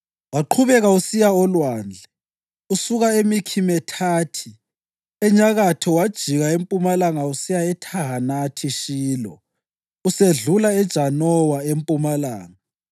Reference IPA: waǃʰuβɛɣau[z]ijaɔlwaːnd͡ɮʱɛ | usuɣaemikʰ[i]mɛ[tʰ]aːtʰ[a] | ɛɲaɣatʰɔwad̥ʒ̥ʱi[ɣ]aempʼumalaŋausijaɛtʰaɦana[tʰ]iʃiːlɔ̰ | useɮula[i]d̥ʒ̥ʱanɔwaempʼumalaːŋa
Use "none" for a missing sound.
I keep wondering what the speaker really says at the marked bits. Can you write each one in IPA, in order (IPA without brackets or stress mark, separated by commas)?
s, i, tʰ, i, ɣ, tʰ, ɛ